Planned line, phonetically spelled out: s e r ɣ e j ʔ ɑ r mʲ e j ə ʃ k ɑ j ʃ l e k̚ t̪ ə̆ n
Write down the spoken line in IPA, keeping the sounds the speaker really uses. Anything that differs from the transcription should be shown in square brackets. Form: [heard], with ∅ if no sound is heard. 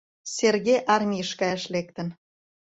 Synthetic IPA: s e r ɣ e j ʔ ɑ r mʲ [i] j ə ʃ k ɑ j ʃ l e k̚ t̪ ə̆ n